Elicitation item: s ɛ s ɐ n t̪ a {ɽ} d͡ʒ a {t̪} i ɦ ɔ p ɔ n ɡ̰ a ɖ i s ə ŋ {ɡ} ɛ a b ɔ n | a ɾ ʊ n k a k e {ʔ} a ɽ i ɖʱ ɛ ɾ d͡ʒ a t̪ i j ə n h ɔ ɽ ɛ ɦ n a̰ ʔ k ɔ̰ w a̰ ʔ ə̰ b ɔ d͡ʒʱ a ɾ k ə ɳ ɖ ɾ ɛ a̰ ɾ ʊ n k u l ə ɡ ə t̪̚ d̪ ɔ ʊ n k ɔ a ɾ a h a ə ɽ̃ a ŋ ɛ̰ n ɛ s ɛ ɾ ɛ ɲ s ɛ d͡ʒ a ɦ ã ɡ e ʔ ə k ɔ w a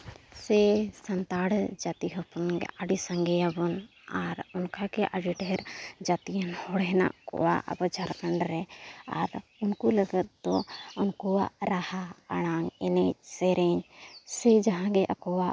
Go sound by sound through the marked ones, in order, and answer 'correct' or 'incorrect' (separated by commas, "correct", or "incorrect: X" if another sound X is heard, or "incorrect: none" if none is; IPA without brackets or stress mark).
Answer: correct, correct, correct, correct